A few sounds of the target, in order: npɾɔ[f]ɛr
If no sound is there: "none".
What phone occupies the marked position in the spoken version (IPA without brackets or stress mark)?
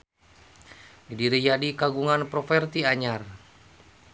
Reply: f